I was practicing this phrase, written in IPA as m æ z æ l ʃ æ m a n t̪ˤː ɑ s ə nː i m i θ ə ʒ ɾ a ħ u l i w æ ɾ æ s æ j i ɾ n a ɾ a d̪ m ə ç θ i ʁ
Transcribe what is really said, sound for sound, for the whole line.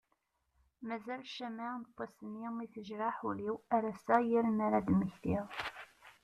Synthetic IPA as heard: m æ z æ l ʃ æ m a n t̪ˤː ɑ s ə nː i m i θ ə ʒ ɾ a ħ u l i w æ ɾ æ s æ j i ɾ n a ɾ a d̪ m ə ç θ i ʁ